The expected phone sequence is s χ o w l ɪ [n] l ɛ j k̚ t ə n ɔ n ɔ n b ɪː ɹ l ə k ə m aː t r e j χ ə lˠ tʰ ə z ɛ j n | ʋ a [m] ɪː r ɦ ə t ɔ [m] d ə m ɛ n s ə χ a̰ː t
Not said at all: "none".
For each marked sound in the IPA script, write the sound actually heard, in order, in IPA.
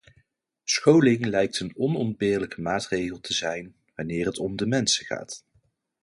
ŋ, n, m

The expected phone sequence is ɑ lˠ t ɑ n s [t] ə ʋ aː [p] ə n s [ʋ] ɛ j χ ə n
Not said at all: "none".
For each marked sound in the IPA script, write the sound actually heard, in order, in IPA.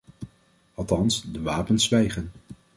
d, p, ʋ

